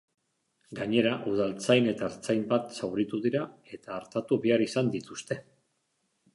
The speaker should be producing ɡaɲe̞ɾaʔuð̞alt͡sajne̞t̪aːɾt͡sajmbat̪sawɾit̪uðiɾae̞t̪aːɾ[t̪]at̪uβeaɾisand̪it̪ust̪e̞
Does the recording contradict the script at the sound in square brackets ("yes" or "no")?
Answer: no